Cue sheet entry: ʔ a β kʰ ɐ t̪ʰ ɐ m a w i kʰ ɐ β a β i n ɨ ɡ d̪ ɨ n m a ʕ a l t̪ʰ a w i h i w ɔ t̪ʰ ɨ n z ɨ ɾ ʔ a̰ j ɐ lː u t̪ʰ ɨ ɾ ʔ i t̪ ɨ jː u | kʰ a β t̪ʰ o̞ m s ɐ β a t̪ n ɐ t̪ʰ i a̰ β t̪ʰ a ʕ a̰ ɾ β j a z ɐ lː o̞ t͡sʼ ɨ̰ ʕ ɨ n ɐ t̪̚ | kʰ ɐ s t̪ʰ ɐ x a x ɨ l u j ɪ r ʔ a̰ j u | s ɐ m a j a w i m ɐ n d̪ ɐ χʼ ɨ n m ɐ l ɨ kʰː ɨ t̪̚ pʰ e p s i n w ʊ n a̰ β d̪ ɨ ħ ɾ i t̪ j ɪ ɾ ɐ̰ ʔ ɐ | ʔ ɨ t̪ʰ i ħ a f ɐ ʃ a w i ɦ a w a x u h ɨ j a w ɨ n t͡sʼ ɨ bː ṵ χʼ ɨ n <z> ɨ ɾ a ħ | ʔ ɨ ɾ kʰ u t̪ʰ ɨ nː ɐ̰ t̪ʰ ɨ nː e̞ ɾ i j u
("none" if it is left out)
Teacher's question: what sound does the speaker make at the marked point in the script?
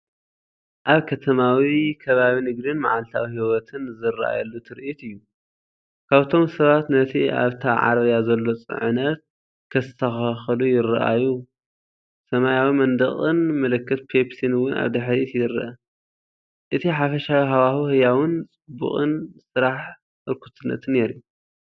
s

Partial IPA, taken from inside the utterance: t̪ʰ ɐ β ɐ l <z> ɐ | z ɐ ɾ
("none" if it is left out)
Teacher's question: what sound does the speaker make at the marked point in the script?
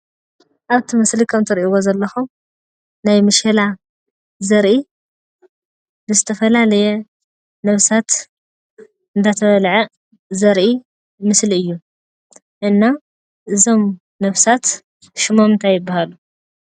ʕ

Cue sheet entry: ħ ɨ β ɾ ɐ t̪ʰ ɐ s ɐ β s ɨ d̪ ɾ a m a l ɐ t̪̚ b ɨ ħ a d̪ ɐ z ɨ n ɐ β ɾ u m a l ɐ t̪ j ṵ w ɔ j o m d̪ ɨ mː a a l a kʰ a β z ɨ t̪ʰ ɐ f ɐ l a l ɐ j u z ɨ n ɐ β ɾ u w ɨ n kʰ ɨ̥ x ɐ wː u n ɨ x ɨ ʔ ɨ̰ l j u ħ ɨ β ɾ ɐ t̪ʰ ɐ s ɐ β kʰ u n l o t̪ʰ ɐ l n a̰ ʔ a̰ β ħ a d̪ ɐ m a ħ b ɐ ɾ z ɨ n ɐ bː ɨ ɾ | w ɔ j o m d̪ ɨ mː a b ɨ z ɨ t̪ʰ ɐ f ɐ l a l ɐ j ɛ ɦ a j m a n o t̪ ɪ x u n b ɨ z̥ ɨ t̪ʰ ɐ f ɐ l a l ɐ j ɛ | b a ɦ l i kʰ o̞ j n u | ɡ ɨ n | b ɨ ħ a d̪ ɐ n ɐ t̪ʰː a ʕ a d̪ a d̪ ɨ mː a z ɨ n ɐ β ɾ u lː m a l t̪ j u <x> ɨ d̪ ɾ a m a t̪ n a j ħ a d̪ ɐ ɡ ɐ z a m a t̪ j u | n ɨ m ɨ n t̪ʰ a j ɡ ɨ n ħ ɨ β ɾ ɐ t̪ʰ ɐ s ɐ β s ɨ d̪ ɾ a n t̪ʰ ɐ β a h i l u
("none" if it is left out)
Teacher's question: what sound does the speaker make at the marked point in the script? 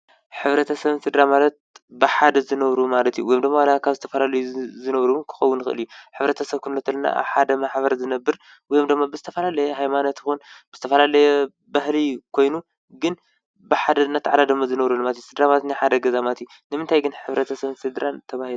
s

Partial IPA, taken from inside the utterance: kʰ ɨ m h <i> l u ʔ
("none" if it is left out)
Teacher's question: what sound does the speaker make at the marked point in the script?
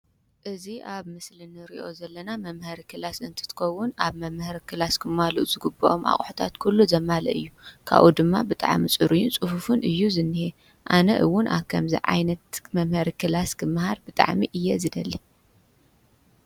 a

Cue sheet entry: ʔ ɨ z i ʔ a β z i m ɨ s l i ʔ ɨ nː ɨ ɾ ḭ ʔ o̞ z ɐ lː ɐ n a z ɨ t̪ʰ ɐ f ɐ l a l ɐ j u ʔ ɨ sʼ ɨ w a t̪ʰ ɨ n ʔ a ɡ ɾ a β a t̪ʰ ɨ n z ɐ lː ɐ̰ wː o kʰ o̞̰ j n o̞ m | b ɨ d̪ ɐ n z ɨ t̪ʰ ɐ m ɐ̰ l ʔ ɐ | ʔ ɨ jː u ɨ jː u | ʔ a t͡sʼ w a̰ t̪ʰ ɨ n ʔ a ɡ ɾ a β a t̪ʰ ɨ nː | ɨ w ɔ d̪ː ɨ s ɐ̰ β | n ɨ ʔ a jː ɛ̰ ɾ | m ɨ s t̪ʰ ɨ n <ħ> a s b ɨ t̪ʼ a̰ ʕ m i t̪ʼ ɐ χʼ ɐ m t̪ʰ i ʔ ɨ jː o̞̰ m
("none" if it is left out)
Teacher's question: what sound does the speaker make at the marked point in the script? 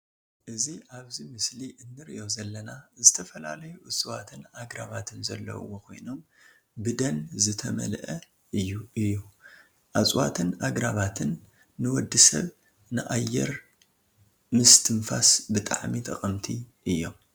f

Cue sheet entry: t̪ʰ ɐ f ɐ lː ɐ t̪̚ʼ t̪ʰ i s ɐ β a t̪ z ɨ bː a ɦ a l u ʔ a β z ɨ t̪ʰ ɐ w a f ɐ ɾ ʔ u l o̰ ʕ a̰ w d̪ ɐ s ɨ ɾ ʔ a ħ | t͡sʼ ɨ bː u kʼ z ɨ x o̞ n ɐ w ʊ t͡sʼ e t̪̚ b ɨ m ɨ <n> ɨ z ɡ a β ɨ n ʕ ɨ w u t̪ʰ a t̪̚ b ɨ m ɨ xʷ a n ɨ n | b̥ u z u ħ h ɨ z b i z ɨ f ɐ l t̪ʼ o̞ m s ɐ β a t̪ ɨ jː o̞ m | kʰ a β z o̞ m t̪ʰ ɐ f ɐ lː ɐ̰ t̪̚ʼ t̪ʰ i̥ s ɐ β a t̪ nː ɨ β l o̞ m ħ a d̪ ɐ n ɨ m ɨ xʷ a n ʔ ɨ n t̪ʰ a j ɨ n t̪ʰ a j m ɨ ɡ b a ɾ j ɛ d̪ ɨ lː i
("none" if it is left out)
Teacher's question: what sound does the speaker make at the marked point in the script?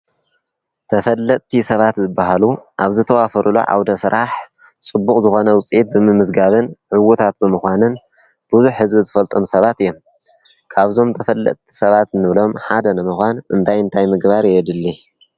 m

